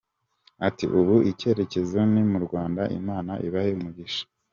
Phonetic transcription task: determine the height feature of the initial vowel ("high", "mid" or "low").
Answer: low